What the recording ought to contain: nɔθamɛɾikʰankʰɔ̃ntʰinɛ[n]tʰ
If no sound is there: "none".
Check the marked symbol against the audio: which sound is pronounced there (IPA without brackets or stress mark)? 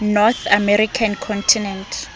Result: n